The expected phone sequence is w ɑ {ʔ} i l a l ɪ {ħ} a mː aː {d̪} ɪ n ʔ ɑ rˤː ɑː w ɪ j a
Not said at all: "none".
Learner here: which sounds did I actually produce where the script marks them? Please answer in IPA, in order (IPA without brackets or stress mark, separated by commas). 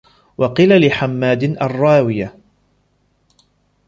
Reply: q, ħ, d̪